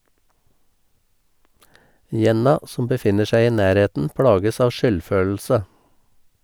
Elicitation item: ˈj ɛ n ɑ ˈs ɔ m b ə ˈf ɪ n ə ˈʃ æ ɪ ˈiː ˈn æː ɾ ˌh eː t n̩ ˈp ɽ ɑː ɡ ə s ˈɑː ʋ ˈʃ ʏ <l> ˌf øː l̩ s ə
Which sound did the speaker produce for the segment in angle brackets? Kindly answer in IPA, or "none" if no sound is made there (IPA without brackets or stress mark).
l